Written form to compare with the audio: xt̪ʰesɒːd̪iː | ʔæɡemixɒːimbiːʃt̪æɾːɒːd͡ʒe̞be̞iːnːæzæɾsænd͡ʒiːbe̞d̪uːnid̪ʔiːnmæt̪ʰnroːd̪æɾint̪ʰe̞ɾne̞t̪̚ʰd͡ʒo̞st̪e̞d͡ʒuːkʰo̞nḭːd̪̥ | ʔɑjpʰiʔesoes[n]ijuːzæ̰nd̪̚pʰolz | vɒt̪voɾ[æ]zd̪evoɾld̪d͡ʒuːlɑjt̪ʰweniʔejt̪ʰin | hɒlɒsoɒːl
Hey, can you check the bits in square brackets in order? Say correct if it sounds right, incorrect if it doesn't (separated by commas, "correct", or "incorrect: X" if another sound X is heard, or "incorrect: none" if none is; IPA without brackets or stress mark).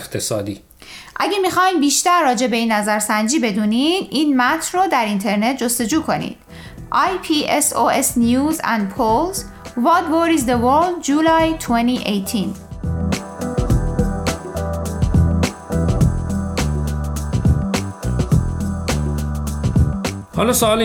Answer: correct, incorrect: i